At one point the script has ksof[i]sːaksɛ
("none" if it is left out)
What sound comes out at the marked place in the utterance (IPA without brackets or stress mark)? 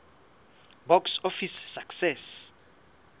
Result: i